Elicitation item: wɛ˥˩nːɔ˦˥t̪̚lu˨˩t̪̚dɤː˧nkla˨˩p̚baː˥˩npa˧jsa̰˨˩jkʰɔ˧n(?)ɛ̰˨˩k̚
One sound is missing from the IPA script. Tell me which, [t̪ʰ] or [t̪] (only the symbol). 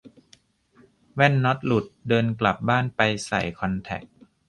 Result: t̪ʰ